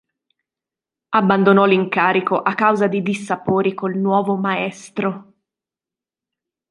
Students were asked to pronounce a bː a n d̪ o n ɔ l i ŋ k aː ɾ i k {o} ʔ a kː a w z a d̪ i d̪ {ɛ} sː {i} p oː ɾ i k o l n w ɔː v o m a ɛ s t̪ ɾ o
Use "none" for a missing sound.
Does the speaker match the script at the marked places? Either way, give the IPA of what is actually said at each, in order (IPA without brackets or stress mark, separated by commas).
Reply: o, i, a